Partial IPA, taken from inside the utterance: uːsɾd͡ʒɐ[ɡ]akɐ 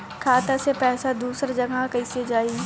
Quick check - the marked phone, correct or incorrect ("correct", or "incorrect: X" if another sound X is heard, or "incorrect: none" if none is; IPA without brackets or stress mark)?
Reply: correct